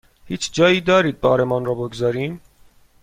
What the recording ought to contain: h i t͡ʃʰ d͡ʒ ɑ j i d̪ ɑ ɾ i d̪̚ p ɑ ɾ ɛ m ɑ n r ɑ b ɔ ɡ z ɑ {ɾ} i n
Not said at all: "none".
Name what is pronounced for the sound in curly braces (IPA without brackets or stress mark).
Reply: ɾ